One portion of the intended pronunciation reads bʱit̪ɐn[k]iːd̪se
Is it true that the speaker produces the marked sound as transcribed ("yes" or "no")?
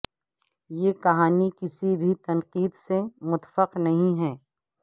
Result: no